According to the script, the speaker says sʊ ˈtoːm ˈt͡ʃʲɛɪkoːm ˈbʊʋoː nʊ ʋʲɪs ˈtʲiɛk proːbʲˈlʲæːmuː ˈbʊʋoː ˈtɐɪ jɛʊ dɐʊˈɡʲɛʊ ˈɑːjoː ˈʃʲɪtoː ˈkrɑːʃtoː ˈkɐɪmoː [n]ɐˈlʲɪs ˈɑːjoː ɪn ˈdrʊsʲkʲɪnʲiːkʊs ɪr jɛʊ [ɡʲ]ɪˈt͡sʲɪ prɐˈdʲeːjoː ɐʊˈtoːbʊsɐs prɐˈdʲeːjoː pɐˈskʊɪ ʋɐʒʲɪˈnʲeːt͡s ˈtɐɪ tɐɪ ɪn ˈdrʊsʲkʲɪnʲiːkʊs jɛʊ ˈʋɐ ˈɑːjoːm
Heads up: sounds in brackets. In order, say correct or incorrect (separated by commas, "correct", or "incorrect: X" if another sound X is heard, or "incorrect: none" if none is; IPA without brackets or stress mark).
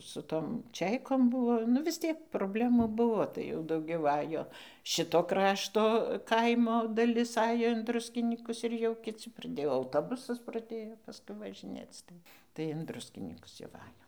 incorrect: d, incorrect: kʲ